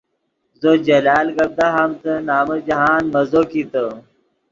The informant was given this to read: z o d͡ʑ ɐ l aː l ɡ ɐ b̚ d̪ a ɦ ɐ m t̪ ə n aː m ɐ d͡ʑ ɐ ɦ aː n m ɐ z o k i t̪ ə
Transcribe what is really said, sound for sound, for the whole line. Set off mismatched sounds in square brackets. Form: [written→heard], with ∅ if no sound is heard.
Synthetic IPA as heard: z o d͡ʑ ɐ l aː l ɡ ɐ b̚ d̪ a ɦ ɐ m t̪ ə n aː m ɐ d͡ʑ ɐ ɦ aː n m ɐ z o k i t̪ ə

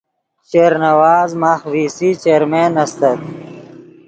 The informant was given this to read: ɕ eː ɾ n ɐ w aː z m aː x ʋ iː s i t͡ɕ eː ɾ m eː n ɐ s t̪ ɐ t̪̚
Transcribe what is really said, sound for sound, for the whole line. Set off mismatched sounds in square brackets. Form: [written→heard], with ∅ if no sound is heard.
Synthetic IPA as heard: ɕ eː ɾ n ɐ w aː z m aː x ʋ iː s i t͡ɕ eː ɾ m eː n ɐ s t̪ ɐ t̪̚

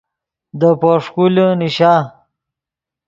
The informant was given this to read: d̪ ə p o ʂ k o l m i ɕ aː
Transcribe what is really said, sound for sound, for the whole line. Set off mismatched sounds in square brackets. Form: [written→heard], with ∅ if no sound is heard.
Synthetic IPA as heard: d̪ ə p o ʂ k [o→u] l [m→n] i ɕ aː

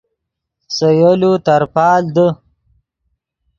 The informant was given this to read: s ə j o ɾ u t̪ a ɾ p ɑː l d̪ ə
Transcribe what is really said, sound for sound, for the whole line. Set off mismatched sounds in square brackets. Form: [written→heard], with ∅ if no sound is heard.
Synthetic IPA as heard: s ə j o [ɾ→l] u t̪ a ɾ p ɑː l d̪ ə

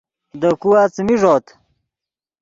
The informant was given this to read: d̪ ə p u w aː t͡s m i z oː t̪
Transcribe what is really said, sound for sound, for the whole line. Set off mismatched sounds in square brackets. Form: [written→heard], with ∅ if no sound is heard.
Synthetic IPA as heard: d̪ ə [p→k] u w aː t͡s m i [z→ʐ] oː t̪

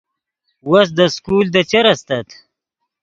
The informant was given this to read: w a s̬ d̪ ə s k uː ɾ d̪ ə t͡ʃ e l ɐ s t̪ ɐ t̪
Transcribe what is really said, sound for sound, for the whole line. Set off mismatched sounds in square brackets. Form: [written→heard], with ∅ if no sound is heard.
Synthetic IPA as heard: w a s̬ d̪ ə s k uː [ɾ→l] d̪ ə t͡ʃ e [l→ɾ] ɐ s t̪ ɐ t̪

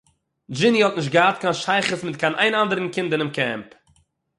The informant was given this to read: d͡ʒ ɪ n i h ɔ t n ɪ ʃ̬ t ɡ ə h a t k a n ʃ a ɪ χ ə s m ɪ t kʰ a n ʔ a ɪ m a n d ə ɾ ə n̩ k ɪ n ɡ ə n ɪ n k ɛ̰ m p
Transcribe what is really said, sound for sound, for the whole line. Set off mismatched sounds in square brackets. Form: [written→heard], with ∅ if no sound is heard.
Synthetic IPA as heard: d͡ʒ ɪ n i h ɔ t n ɪ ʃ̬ t ɡ ə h a t k a n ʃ a ɪ χ ə s m ɪ t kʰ a n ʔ a ɪ [m→n] a n d ə ɾ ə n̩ k ɪ n [ɡ→d] ə n ɪ [n→m] k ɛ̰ m p

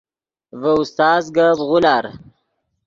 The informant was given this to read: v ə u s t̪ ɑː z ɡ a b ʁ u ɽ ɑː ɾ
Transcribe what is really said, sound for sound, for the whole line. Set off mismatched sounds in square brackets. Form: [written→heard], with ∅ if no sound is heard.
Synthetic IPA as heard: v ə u s t̪ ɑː z ɡ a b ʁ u [ɽ→l] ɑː ɾ

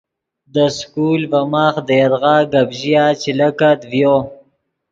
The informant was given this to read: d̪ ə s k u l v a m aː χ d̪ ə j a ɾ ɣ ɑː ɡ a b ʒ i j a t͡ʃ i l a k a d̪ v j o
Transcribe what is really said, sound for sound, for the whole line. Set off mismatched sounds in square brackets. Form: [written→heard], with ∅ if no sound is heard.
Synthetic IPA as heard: d̪ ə s k u l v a m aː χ d̪ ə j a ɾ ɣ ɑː ɡ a b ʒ i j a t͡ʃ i l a k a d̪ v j o

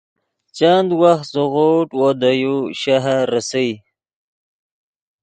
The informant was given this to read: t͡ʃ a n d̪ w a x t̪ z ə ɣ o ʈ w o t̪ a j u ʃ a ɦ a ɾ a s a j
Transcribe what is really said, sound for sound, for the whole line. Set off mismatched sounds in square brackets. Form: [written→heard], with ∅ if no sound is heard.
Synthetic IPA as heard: t͡ʃ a n d̪ w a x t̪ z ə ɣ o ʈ w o [t̪→d̪] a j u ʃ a ɦ a ɾ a s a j

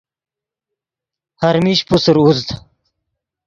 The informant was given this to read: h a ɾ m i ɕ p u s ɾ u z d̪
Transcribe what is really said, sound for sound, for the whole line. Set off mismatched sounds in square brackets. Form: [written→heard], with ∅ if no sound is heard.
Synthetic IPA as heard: h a ɾ m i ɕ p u s ɾ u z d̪

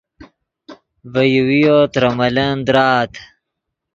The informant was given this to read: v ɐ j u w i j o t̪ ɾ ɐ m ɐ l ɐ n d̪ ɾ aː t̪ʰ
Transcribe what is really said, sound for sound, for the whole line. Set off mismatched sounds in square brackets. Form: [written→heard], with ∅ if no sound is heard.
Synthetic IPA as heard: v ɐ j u w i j o t̪ ɾ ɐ m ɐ l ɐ n d̪ ɾ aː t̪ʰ

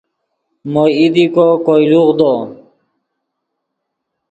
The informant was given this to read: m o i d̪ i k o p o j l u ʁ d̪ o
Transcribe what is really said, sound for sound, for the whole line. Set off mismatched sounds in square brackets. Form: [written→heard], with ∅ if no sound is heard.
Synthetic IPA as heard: m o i d̪ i k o [p→k] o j l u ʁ d̪ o

